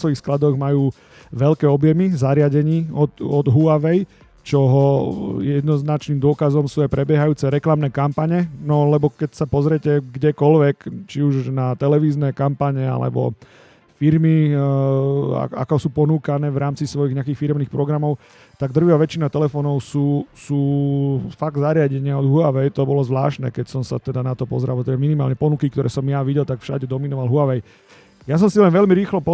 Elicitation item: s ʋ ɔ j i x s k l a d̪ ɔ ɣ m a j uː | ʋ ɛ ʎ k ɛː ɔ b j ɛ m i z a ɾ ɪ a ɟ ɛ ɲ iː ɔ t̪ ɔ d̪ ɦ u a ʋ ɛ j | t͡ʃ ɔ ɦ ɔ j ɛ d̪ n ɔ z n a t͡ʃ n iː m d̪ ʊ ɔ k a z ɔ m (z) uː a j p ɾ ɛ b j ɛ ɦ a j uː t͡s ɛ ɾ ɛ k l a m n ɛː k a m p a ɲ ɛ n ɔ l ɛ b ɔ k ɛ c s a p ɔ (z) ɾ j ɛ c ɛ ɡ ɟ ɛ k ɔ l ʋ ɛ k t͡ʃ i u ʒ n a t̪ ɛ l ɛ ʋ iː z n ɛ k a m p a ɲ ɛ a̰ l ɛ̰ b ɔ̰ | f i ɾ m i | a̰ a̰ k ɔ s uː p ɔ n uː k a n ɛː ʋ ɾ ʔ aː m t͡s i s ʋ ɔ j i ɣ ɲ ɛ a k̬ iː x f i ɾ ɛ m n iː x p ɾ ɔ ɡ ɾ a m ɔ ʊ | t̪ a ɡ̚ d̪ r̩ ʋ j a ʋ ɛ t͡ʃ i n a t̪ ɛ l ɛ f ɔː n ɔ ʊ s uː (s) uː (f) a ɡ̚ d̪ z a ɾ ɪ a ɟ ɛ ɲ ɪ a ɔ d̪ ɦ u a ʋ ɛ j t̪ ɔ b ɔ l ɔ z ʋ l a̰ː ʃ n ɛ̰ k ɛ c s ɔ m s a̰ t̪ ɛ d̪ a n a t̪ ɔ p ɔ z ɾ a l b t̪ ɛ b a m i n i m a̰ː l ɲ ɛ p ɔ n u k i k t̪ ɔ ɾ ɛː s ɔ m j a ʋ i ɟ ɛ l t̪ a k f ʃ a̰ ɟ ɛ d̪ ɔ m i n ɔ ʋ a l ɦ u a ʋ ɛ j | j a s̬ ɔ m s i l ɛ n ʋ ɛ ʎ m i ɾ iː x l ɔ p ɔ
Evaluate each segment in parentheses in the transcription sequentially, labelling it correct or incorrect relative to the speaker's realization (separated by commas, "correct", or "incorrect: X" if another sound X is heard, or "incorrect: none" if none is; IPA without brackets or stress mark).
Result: incorrect: s, correct, correct, correct